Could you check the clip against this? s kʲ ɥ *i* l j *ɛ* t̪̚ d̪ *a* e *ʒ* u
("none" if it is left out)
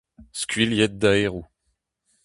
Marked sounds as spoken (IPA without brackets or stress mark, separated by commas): i, ɛ, a, ʁ